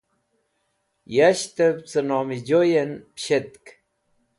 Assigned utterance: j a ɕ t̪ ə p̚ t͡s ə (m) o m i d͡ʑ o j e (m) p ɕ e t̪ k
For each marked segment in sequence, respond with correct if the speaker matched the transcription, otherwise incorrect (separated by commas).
incorrect, incorrect